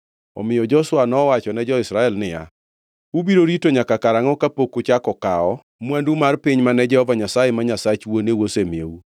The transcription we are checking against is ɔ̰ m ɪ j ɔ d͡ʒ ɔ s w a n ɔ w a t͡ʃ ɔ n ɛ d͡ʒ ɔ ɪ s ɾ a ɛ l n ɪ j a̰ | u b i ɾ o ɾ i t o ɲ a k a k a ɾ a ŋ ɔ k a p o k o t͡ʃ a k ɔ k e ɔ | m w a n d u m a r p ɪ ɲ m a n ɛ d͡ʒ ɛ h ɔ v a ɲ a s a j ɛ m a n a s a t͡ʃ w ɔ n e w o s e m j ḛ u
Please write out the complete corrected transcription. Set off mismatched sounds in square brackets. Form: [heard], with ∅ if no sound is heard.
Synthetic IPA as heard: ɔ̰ m ɪ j ɔ d͡ʒ ɔ s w a n ɔ w a t͡ʃ ɔ n ɛ d͡ʒ ɔ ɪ s ɾ a ɛ l n ɪ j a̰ | u b i ɾ o ɾ i t o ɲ a k a k a ɾ a ŋ ɔ k a p o k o t͡ʃ a k ɔ k [a] ɔ | m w a n d u m a r p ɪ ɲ m a n ɛ d͡ʒ ɛ h ɔ v a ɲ a s a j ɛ m a [ɲ] a s a t͡ʃ w [o] n e w o s e m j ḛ u

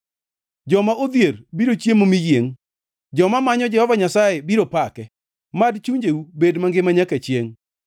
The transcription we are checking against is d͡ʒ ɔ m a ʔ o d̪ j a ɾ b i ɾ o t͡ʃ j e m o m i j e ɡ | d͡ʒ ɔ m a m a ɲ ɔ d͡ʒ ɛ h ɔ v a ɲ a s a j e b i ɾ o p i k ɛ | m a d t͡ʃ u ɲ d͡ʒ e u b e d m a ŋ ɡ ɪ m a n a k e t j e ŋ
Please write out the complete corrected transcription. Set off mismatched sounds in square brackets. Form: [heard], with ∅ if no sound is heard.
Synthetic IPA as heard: d͡ʒ ɔ m a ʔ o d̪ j [e] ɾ b i ɾ o t͡ʃ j e m o m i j e [ŋ] | d͡ʒ ɔ m a m a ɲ ɔ d͡ʒ ɛ h ɔ v a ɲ a s a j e b i ɾ o p [a] k ɛ | m a d t͡ʃ u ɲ d͡ʒ e u b e d m a ŋ ɡ ɪ m a [ɲ] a k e [t͡ʃ] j e ŋ

